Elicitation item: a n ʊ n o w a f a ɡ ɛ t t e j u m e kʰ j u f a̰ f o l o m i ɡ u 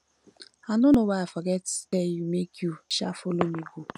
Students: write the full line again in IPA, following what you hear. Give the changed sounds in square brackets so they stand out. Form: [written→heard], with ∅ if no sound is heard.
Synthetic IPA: a n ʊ n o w a f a ɡ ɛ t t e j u m e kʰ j u [f→ʃ] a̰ f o l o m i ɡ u